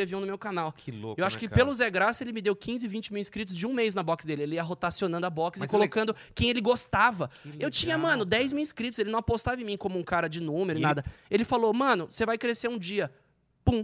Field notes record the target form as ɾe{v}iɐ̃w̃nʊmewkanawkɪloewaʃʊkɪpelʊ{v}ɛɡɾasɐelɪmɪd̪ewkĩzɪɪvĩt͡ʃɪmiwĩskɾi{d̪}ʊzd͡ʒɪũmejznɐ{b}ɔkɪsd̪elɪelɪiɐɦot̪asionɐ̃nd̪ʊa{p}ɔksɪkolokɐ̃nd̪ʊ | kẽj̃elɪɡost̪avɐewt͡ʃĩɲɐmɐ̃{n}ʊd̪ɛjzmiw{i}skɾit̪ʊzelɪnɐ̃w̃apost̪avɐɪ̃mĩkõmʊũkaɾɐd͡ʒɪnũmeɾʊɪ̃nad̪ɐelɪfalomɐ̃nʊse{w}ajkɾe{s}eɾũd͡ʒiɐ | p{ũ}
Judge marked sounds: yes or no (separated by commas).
yes, no, no, yes, no, yes, no, no, yes, yes